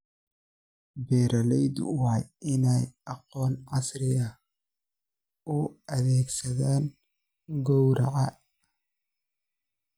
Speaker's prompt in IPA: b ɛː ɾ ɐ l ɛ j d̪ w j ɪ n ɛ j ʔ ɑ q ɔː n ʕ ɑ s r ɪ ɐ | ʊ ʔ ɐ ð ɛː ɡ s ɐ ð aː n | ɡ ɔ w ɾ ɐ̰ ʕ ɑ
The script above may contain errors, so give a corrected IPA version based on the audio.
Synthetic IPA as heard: b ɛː ɾ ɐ l ɛ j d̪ w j ɪ n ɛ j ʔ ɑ q ɔː n ʕ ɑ s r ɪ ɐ | ʊ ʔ ɐ ð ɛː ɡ s ɐ ð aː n | ɡ ɔ w ɾ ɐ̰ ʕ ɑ